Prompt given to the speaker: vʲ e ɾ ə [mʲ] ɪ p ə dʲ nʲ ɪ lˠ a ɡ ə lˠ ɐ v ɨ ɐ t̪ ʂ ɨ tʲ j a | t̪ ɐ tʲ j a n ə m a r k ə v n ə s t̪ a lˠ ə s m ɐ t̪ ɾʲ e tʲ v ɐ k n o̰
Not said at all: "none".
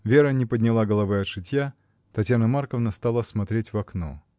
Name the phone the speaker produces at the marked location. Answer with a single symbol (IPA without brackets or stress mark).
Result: nʲ